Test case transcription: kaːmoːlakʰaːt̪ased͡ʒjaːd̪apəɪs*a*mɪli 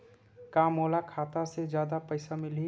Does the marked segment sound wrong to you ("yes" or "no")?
no